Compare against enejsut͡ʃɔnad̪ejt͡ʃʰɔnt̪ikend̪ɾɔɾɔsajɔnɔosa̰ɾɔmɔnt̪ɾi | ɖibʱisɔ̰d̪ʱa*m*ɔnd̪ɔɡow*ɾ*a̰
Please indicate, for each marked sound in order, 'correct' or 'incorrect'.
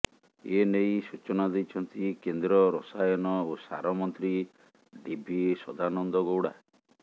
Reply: incorrect, incorrect

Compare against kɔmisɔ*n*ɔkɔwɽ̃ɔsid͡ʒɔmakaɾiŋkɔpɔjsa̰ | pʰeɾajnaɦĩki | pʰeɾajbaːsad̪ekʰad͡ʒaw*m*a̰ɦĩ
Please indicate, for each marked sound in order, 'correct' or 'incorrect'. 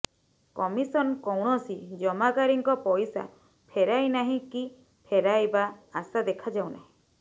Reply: correct, incorrect

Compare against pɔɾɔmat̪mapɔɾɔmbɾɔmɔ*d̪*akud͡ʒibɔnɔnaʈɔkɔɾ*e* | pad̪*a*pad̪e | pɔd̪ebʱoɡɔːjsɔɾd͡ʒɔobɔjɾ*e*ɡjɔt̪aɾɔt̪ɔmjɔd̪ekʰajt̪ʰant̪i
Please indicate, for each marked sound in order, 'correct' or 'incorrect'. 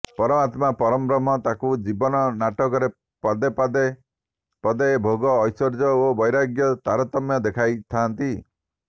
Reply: incorrect, correct, incorrect, incorrect

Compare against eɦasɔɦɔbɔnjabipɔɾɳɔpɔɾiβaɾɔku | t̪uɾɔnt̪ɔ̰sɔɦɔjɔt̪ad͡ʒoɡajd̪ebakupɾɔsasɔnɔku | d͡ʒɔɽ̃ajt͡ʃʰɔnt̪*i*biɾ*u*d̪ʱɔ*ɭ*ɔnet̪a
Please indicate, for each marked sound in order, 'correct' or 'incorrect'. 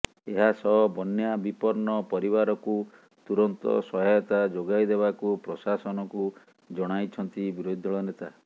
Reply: correct, incorrect, correct

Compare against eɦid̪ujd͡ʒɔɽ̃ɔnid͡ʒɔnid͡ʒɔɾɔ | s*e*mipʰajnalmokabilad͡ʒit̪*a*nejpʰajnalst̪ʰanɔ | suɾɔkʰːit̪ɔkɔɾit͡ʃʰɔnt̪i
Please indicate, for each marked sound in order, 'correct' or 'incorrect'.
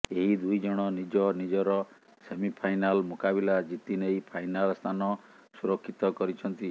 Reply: correct, incorrect

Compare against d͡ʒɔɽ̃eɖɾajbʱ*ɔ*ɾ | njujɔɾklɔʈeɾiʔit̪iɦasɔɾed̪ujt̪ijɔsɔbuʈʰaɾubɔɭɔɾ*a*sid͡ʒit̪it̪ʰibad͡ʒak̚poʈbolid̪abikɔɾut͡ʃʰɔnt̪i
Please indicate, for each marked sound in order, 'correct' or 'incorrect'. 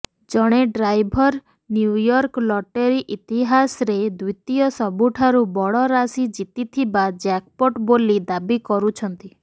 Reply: correct, correct

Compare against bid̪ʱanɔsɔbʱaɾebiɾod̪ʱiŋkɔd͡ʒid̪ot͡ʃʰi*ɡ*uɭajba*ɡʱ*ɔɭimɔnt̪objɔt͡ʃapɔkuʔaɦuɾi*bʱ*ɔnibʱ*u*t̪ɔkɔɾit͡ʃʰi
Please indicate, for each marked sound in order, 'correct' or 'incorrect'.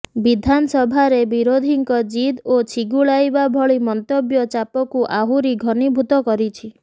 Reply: correct, incorrect, incorrect, correct

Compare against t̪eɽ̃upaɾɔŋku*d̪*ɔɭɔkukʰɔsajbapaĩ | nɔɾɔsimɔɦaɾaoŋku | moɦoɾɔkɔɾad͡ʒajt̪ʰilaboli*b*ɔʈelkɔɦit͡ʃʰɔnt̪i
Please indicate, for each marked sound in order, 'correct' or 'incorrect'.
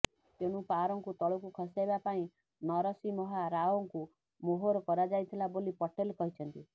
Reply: incorrect, incorrect

